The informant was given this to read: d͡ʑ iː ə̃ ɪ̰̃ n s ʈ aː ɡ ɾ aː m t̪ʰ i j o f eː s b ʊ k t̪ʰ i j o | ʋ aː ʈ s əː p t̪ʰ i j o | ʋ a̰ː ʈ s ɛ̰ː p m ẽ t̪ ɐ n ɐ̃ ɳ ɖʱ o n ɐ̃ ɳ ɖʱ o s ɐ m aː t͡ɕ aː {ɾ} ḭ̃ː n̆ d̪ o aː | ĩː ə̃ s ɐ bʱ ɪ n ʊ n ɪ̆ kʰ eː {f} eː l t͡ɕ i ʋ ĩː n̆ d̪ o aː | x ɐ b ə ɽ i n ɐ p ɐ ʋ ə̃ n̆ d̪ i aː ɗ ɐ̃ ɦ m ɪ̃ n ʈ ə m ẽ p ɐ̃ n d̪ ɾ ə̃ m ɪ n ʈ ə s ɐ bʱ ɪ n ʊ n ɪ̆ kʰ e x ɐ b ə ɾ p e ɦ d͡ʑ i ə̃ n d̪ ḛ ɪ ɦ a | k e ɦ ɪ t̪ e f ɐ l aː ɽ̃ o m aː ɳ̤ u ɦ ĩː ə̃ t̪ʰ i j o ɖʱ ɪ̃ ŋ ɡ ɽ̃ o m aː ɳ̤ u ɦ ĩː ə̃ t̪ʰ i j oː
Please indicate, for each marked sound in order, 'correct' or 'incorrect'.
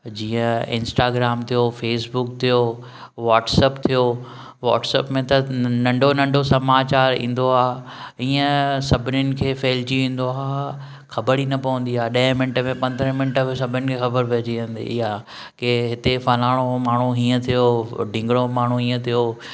correct, correct

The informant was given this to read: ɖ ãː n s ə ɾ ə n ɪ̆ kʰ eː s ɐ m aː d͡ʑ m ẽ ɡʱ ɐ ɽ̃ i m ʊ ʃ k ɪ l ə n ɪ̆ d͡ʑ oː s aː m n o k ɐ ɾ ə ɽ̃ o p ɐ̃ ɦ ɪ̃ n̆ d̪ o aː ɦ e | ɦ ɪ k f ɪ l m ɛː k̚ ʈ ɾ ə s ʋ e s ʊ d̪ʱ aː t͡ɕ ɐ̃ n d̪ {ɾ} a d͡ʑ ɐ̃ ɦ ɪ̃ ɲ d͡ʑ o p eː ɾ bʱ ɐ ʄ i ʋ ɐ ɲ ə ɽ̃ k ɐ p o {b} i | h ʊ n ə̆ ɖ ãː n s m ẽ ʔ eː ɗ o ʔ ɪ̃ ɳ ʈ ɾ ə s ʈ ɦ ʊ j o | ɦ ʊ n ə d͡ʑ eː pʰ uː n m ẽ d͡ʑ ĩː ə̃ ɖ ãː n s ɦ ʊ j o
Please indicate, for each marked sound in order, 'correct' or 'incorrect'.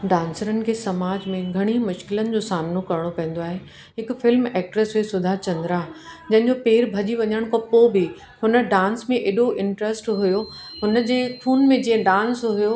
correct, correct

